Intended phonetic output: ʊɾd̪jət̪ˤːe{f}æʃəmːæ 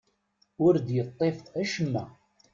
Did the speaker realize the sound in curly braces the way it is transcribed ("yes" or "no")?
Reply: yes